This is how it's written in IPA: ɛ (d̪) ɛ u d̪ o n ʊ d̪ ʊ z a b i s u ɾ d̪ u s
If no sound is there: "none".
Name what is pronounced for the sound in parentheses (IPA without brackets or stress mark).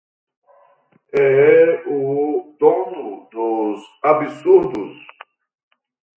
none